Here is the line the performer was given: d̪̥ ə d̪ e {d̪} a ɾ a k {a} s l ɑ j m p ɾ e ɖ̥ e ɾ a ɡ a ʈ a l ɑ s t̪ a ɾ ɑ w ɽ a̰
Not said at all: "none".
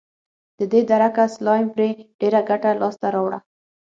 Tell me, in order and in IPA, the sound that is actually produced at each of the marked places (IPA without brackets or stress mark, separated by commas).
d̪, a